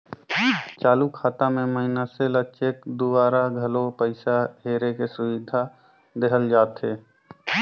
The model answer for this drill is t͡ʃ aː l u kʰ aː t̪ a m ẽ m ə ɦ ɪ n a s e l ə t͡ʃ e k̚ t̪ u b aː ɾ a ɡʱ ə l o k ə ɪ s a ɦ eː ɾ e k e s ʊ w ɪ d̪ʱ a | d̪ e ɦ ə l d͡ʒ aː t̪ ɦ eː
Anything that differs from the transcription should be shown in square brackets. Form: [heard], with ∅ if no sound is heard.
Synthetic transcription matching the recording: t͡ʃ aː l u kʰ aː t̪ a m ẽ m ə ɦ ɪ n a s e l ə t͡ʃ e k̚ [d̪] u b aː ɾ a ɡʱ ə l o [p] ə ɪ s a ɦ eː ɾ e k e s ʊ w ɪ d̪ʱ a | d̪ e ɦ ə l d͡ʒ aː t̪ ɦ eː